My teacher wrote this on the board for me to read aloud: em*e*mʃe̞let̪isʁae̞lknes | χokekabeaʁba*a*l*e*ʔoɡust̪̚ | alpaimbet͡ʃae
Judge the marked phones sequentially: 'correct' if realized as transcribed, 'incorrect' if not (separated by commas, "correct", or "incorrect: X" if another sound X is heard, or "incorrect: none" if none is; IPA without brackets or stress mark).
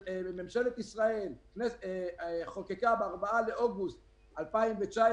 correct, correct, correct